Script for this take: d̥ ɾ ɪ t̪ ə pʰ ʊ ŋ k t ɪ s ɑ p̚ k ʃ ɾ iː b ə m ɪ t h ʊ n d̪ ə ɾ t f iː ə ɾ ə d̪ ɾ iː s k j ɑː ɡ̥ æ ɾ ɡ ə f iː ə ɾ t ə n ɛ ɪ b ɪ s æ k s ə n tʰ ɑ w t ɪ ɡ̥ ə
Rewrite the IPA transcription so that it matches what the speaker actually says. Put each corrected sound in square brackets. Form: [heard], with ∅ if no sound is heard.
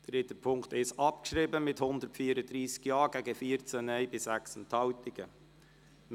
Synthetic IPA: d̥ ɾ ɪ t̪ ə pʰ ʊ ŋ k t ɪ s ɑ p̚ k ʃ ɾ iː b ə m ɪ t h ʊ n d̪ ə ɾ t f iː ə ɾ ə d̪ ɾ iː s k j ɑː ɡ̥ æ [∅] ɡ ə f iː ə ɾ [t͡s] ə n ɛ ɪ b ɪ s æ k s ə n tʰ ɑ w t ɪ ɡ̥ ə